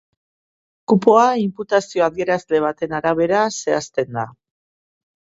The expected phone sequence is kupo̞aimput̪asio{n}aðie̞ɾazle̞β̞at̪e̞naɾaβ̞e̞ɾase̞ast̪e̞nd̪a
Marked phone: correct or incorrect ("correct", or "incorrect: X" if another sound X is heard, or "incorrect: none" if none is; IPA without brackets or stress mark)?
incorrect: none